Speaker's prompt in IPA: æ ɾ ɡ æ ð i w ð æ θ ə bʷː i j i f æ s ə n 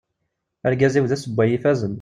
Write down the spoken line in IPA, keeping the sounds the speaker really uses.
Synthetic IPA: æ ɾ ɡ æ z i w ð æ s ə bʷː æ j i f æ z ə n